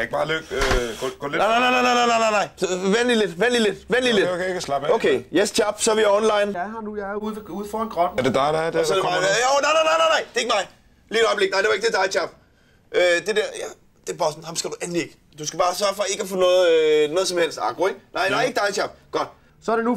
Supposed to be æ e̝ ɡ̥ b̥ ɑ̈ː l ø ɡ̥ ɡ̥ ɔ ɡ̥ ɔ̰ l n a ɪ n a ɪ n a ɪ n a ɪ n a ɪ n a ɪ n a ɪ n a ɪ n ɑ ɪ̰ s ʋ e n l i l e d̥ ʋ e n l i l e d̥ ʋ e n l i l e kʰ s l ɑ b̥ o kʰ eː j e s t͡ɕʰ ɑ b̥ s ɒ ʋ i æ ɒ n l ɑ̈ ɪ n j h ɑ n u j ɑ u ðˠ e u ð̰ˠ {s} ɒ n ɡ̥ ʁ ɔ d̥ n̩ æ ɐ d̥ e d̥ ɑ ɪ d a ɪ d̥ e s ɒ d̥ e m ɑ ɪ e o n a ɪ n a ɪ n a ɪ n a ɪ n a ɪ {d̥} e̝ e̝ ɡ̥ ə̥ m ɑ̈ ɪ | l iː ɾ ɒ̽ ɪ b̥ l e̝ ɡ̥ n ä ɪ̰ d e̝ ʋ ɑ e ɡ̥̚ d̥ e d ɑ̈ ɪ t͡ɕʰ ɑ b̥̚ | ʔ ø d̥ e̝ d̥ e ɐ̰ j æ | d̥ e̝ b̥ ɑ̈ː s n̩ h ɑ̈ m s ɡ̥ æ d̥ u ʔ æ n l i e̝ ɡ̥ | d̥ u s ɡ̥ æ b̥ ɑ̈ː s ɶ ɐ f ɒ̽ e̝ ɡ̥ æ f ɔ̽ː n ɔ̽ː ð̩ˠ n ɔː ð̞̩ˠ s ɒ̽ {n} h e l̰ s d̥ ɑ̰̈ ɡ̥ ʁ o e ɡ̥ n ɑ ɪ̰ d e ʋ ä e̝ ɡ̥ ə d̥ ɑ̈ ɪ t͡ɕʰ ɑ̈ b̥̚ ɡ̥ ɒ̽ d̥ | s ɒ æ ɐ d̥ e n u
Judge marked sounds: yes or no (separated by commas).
no, yes, no